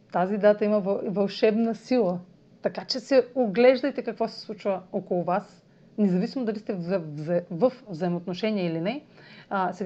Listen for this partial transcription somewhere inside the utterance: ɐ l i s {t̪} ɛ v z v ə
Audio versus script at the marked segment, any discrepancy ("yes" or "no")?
no